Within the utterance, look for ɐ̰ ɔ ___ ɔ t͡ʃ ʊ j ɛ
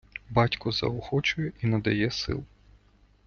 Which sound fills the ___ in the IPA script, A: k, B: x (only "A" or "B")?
B